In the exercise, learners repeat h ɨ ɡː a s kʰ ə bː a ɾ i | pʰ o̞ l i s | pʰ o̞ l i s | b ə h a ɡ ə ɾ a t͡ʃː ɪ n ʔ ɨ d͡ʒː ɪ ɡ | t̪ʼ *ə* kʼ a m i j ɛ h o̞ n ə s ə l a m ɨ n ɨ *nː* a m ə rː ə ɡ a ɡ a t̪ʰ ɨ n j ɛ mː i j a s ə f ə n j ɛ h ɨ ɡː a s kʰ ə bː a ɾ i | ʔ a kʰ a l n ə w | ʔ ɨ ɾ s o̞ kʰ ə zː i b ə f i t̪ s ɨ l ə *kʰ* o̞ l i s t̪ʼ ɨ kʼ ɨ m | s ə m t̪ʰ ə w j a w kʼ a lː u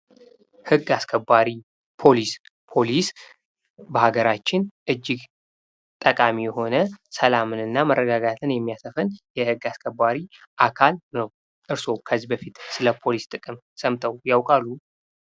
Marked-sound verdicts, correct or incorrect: correct, correct, incorrect: pʰ

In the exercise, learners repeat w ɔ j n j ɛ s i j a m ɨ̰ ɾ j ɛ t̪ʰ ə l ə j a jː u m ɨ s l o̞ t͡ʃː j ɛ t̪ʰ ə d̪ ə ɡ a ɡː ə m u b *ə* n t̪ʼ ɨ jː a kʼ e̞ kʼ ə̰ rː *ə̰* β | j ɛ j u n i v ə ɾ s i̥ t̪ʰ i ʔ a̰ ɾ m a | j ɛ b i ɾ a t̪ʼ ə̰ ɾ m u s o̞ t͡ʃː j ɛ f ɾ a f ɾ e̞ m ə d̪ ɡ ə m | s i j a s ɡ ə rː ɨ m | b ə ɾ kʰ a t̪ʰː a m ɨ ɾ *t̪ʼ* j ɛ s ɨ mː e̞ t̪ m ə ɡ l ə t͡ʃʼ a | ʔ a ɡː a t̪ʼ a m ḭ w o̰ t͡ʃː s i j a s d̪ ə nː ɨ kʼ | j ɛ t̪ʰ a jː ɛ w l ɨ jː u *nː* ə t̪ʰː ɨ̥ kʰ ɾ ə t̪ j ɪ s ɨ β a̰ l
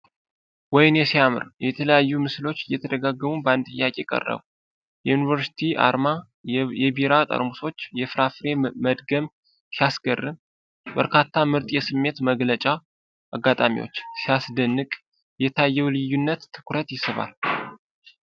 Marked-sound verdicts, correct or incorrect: incorrect: a, correct, correct, correct

